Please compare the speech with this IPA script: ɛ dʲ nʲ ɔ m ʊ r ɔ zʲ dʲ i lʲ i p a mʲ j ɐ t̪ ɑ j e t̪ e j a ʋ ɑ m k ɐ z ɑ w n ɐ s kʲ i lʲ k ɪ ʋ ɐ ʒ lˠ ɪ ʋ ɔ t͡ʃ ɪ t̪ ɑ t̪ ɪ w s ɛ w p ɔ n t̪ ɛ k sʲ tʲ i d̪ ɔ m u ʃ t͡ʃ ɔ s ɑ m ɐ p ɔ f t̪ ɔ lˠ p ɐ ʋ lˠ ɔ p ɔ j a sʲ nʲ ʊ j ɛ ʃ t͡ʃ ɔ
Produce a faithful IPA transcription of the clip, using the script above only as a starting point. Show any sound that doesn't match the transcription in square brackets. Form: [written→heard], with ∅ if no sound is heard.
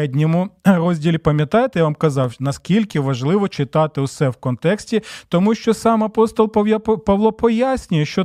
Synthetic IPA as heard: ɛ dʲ nʲ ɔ m ʊ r ɔ zʲ dʲ i lʲ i p [a→ɐ] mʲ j ɐ t̪ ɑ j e t̪ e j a ʋ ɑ m k ɐ z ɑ w n ɐ s kʲ i lʲ k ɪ ʋ ɐ ʒ lˠ ɪ ʋ ɔ t͡ʃ ɪ t̪ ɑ t̪ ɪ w s ɛ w [p→k] ɔ n t̪ ɛ k sʲ tʲ i [d̪→t̪] ɔ m u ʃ t͡ʃ ɔ s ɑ m ɐ p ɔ [f→s] t̪ ɔ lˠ p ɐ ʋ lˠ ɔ p ɔ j a sʲ nʲ ʊ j ɛ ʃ t͡ʃ ɔ